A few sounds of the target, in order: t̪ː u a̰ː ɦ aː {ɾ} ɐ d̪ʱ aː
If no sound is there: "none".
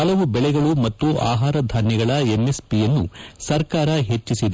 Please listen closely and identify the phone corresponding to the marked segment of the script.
ɾ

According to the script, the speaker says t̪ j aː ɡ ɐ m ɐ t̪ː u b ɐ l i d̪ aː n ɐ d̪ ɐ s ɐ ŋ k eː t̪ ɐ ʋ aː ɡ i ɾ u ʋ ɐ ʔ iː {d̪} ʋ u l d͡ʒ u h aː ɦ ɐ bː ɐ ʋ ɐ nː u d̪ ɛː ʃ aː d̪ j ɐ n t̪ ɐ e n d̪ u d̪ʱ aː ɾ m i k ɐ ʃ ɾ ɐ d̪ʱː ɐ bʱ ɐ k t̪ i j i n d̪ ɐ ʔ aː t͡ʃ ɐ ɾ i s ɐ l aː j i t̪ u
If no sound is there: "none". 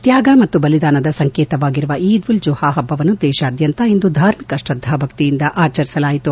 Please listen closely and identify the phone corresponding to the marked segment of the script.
d̪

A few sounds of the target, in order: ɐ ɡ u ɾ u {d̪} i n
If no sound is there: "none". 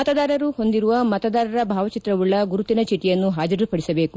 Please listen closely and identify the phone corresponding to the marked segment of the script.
t̪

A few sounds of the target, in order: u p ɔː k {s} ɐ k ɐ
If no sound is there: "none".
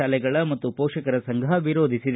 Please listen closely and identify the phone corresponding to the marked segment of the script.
ʂ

